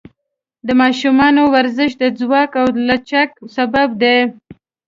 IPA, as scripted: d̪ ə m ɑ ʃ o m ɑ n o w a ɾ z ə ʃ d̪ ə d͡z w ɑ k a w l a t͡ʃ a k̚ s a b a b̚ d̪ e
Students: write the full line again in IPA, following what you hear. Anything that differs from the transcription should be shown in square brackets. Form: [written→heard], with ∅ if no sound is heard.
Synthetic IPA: d̪ ə m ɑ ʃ [o→u] m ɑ n o w a ɾ z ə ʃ d̪ ə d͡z w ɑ k a w l a t͡ʃ a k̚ s a b a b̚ d̪ e